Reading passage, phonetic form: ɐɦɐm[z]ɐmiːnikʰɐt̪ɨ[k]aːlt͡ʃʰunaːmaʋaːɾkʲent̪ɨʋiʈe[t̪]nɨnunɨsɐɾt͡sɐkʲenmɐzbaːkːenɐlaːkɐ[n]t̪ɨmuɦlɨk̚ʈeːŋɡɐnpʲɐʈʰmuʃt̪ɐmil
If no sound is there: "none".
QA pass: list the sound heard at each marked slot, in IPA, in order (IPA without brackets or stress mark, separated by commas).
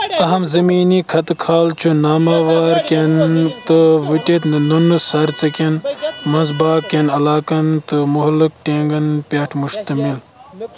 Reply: z, kʰ, t̪, n